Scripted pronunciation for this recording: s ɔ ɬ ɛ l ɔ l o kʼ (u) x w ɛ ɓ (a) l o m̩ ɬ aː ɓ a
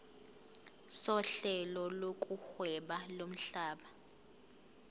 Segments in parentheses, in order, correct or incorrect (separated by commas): correct, correct